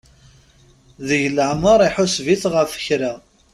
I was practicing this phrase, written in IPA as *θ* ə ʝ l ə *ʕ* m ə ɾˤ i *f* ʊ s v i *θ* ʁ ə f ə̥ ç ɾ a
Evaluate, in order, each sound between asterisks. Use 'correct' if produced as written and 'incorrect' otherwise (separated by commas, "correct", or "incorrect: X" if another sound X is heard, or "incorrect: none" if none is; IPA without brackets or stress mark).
incorrect: ð, correct, incorrect: ħ, correct